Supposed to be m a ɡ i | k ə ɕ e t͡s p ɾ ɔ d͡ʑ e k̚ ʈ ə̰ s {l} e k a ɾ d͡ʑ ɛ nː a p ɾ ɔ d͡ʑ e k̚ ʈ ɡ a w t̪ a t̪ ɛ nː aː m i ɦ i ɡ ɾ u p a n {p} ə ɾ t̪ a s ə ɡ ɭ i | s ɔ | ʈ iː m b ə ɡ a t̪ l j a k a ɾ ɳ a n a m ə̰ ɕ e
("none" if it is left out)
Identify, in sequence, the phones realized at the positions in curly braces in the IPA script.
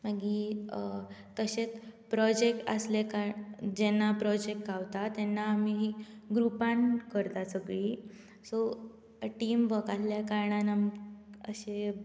l, k

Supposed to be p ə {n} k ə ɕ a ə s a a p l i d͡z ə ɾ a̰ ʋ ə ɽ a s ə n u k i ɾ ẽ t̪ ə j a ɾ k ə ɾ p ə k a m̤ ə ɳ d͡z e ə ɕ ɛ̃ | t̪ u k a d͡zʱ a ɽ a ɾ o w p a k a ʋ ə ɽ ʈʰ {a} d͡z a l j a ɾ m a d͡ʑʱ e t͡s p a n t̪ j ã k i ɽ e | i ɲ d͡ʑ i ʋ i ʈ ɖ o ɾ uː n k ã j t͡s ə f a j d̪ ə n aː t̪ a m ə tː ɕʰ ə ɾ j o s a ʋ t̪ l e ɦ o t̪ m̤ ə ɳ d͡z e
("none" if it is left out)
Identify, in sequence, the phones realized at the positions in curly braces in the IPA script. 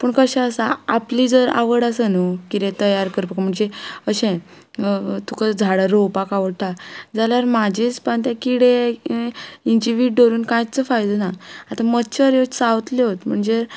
ɳ, a

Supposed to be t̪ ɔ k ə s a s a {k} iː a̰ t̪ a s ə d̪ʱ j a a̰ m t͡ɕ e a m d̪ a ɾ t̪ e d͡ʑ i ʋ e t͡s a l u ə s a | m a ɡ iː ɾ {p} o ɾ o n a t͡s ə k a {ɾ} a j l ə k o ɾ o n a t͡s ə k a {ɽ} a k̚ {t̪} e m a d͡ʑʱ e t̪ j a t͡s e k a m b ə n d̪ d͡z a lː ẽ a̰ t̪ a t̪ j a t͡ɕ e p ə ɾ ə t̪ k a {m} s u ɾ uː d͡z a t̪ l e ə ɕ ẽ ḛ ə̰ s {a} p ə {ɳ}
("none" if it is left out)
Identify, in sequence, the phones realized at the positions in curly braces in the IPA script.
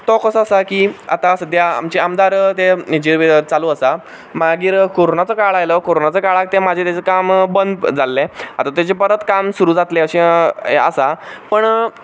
k, k, ɭ, ɭ, t̪, m, a, ɳ

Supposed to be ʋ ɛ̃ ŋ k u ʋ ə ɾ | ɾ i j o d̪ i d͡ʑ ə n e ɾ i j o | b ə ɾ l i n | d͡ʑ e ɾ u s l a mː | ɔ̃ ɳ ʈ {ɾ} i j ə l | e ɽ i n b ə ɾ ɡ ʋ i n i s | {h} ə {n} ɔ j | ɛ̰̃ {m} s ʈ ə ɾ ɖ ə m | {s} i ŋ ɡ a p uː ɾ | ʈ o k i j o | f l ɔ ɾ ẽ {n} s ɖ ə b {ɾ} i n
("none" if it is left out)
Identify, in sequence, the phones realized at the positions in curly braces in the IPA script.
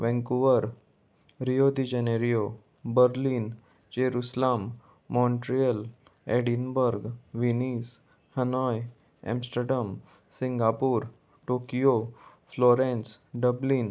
ɾ, h, n, m, s, n, l

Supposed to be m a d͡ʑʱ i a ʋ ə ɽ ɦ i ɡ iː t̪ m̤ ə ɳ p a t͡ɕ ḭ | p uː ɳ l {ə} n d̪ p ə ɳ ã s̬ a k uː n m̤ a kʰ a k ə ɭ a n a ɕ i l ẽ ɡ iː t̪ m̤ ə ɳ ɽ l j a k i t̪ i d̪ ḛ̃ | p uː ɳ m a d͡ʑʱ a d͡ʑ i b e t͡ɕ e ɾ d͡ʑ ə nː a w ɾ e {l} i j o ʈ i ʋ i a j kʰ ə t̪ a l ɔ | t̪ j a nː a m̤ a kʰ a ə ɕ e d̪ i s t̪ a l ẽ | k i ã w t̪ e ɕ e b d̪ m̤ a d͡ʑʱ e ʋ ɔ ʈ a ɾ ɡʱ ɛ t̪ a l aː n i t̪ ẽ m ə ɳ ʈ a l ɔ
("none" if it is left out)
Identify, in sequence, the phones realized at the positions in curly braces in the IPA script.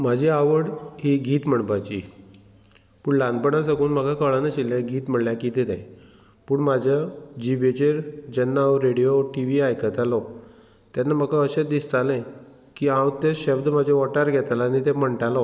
a, ɽ

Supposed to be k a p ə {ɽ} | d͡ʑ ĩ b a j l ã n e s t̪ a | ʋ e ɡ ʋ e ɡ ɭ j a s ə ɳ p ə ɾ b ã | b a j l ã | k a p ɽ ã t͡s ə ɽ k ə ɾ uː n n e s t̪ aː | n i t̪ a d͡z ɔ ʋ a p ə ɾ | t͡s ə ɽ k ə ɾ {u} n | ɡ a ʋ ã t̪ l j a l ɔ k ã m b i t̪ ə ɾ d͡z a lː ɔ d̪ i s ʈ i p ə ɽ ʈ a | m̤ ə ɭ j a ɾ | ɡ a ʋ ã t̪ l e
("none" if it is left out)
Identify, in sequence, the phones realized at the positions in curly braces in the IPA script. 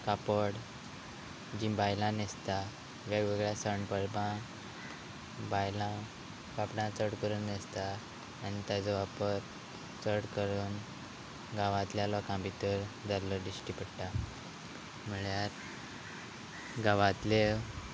ɽ, uː

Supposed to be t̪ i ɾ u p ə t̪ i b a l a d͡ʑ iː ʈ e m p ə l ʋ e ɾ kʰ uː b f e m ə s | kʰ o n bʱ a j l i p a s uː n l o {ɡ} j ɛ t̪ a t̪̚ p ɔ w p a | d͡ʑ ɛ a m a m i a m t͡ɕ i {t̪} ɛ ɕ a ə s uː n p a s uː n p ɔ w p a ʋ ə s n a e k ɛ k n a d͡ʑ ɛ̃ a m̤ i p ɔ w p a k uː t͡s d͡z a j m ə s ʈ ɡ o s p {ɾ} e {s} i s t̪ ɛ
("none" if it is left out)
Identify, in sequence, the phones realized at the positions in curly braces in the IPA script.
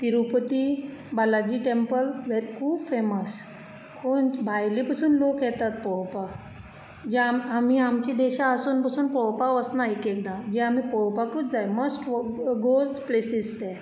k, d̪, l, s

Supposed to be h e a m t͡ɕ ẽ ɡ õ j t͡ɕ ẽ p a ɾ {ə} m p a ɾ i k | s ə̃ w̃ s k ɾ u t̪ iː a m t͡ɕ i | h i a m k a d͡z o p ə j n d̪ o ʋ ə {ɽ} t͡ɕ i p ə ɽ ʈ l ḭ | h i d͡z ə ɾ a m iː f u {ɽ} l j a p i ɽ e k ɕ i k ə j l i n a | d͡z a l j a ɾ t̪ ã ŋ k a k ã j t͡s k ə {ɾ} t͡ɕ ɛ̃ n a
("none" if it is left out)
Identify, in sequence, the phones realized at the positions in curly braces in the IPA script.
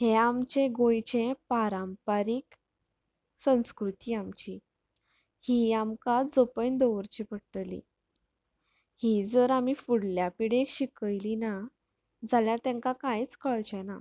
a, ɾ, ɽ, ɭ

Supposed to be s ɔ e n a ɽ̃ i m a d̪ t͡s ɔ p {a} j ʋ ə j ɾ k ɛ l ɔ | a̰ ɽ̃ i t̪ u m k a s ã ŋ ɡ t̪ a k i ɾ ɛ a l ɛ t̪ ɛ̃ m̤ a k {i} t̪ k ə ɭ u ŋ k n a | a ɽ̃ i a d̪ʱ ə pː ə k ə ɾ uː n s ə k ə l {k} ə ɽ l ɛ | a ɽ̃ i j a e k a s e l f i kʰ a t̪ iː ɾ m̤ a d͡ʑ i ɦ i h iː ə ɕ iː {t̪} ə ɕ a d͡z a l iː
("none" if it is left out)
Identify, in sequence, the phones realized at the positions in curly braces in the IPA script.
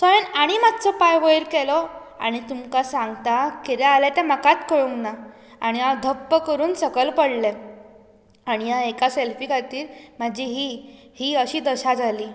a, a, p, d̪

